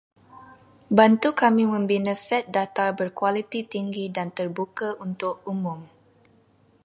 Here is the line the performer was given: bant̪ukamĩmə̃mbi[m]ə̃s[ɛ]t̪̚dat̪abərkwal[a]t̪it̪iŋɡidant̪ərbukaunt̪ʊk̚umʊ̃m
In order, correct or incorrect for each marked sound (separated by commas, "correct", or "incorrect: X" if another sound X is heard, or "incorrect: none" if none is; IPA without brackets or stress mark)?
incorrect: n, correct, incorrect: i